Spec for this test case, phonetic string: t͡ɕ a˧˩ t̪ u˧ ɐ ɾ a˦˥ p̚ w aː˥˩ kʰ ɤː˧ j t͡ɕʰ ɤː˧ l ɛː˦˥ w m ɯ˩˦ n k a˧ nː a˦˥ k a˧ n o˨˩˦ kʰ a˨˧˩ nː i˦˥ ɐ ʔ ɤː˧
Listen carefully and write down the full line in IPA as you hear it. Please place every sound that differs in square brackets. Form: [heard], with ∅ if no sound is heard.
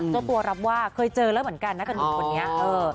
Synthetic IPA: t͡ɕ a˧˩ t̪ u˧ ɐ ɾ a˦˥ p̚ w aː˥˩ kʰ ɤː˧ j [t͡ɕ] ɤː˧ l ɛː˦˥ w m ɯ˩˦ n k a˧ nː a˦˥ k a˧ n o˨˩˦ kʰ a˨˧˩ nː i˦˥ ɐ ʔ ɤː˧